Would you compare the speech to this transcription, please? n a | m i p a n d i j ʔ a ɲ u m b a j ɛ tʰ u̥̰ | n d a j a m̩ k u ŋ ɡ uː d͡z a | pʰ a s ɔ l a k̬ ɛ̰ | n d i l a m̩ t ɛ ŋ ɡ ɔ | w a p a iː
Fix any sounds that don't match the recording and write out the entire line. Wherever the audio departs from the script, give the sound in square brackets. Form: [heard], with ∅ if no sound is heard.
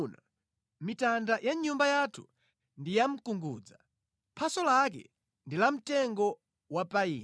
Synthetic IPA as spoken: n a | m i [t] a n d [a] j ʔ a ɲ u m b a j [a] tʰ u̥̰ | n d [i] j a m̩ k u ŋ ɡ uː d͡z a | pʰ a s ɔ l a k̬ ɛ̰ | n d i l a m̩ t ɛ ŋ ɡ ɔ | w a p a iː

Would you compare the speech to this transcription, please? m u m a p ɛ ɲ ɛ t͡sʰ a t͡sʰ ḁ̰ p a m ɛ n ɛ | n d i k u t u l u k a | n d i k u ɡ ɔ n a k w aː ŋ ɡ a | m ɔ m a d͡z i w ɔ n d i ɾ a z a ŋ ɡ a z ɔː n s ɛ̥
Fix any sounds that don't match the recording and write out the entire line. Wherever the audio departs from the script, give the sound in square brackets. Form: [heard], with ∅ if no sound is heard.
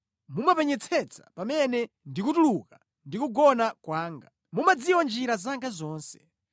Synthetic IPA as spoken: m u m a p ɛ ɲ ɛ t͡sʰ [ɛ] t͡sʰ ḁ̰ p a m ɛ n ɛ | n d i k u t u l u k a | n d i k u ɡ ɔ n a k w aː ŋ ɡ a | m [u] m a d͡z i w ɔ n [d͡ʒ] i ɾ a z a ŋ ɡ a z ɔː n s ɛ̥

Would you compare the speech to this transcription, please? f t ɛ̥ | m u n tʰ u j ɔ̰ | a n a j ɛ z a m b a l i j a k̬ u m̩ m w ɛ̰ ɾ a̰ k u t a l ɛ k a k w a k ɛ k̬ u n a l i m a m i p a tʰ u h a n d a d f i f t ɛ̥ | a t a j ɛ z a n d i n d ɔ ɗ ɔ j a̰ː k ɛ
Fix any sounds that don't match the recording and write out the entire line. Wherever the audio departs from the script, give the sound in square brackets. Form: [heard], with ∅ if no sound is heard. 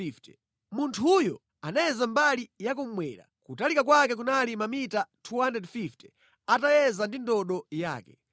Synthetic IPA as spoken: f t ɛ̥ | m u n tʰ u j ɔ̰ | a n a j ɛ z a m b a l i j a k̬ u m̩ m w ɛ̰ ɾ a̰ k u t a l [i] k a k w a k ɛ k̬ u n a l i m a m i [t] a tʰ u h a n d [ɛ] d f i f t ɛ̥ | a t a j ɛ z a n d i n d ɔ ɗ ɔ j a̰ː k ɛ

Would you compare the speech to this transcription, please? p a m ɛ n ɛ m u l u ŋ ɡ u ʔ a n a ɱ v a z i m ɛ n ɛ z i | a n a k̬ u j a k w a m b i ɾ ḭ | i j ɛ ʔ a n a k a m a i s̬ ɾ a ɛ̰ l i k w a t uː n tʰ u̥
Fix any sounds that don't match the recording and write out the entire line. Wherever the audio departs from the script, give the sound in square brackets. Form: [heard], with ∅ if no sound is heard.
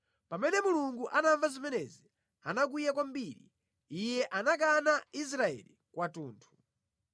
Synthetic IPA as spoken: p a m ɛ n ɛ m u l u ŋ ɡ u ʔ a n a ɱ v a z i m ɛ n ɛ z i | a n a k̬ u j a k w a m b i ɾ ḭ | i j ɛ ʔ a n a k a [n] a i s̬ ɾ a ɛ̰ l i k w a t uː n tʰ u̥

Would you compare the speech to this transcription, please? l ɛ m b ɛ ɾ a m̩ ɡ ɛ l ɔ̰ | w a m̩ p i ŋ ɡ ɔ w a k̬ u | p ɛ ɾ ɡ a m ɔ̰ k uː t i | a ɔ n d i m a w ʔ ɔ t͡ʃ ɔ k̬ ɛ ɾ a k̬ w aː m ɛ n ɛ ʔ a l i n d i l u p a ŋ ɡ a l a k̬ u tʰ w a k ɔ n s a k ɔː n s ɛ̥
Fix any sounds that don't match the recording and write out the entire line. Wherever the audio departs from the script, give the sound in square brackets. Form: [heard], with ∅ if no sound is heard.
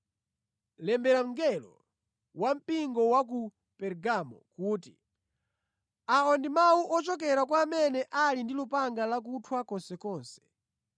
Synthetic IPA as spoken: l ɛ m b ɛ ɾ a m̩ ɡ ɛ l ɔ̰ | w a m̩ p i ŋ ɡ ɔ w a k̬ u | p ɛ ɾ ɡ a m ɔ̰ k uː t i | a ɔ n d i m a [u] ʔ ɔ t͡ʃ ɔ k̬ ɛ ɾ a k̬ w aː m ɛ n ɛ ʔ a l i n d i l u p a ŋ ɡ a l a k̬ u tʰ w a k ɔ n s [ɛ] k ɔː n s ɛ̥

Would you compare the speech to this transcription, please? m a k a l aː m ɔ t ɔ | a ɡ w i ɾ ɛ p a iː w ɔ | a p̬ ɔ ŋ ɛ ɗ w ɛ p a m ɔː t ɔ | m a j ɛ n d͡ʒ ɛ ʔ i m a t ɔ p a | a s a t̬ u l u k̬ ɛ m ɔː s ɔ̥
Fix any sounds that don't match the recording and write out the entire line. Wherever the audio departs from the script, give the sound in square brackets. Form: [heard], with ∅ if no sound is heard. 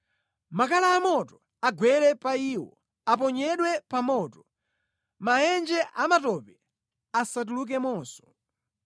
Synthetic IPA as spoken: m a k a l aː m ɔ t ɔ | a ɡ w [ɛ] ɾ ɛ p a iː w ɔ | a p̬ ɔ [ɲ] ɛ ɗ w ɛ p a m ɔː t ɔ | m a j ɛ n d͡ʒ ɛ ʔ [a] m a t ɔ p [ɛ] | a s a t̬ u l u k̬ ɛ m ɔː s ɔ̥

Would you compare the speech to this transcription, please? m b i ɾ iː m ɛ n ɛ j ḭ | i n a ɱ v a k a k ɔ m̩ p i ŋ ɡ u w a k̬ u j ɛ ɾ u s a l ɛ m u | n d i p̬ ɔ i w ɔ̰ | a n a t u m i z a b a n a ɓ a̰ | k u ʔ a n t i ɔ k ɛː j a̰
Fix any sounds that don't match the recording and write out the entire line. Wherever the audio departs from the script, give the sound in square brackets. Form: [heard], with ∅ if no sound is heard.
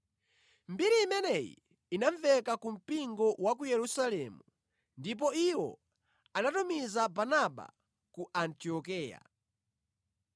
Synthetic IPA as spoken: m b i ɾ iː m ɛ n ɛ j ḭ | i n a ɱ v [ɛ] k a k [u] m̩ p i ŋ ɡ [ɔ] w a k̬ u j ɛ ɾ u s a l ɛ m u | n d i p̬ ɔ i w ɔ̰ | a n a t u m i z a b a n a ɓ a̰ | k u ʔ a n t i ɔ k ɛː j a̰

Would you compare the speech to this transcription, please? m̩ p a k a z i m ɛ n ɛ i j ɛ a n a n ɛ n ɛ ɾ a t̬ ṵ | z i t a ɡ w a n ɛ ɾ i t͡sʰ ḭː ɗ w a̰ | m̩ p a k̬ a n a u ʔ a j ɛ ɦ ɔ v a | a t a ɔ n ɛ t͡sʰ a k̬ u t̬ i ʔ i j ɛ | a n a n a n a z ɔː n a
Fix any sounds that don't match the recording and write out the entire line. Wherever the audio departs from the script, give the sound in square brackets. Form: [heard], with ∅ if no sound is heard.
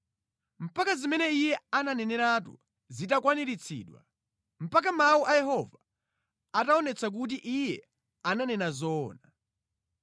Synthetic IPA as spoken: m̩ p a k a z i m ɛ n ɛ i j ɛ a n a n ɛ n ɛ ɾ a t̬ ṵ | z i t a [k] w a n [i] ɾ i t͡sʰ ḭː ɗ w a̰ | m̩ p a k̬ a [m] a u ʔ a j ɛ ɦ ɔ v a | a t a ɔ n ɛ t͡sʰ a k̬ u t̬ i ʔ i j ɛ | a n a n [ɛ] n a z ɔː n a

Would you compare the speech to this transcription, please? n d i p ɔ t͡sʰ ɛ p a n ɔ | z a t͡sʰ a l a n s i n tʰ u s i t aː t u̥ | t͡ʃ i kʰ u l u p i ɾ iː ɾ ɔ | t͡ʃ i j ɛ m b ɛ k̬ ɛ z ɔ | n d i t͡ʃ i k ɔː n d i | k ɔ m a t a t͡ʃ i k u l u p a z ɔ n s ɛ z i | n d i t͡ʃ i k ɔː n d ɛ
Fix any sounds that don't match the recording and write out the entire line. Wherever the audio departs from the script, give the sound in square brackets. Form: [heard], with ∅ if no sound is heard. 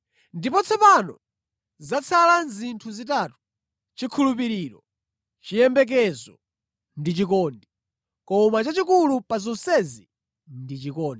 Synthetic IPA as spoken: n d i p ɔ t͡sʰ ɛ p a n ɔ | z a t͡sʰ a l a n [z] i n tʰ u [z] i t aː t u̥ | t͡ʃ i kʰ u l u p i ɾ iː ɾ ɔ | t͡ʃ i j ɛ m b ɛ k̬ ɛ z ɔ | n d i t͡ʃ i k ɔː n d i | k ɔ m a [t͡ʃ] a t͡ʃ i k u l u p a z ɔ n s ɛ z i | n d i t͡ʃ i k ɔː n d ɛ

